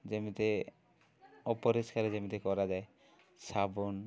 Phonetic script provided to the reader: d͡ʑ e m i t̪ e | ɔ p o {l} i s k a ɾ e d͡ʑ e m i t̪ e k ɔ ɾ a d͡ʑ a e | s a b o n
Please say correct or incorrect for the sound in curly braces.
incorrect